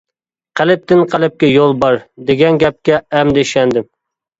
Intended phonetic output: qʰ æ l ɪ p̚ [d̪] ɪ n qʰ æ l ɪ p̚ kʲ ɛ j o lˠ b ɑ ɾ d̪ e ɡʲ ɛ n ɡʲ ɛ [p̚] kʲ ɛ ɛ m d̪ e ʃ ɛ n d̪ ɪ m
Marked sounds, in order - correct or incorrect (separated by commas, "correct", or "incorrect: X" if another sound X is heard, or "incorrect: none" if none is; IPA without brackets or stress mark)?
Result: incorrect: t̪, correct